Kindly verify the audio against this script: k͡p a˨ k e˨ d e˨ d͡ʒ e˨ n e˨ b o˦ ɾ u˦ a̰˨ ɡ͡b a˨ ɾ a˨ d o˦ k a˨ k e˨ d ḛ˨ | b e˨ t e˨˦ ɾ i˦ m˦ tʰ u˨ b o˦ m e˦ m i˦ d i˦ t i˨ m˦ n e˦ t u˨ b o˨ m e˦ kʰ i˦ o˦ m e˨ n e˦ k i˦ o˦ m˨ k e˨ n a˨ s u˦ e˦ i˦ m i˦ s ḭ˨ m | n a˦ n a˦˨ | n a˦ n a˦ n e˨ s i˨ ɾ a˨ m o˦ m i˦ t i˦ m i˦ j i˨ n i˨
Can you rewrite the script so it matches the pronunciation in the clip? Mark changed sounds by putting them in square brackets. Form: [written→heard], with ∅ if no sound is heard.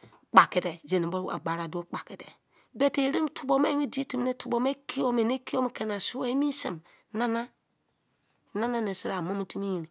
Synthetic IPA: k͡p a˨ k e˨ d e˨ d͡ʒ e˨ n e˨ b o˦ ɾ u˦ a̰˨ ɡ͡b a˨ ɾ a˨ d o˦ [k→k͡p] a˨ k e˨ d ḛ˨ | b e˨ t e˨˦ ɾ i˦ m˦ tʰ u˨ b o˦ m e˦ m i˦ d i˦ t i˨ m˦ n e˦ t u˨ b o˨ m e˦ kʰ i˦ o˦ m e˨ n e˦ k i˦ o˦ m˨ k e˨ n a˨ s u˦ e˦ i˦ m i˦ s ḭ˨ m | n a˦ n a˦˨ | n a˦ n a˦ n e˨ s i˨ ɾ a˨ m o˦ m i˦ t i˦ m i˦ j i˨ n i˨